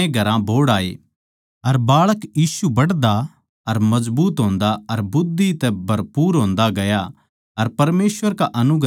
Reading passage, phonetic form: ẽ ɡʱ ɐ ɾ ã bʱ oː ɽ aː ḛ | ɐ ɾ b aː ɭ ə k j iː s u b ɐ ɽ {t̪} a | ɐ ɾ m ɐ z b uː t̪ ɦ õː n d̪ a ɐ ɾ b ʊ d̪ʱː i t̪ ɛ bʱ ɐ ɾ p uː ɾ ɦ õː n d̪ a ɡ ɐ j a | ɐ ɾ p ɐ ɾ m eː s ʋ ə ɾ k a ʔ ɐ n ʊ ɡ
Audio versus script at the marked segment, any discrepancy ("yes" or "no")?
yes